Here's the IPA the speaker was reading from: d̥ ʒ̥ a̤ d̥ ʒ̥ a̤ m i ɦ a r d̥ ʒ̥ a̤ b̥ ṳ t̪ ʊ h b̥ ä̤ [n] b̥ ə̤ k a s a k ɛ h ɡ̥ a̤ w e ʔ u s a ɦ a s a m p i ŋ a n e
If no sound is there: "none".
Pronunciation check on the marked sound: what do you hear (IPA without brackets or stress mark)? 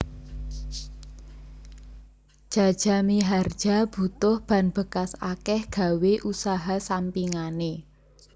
n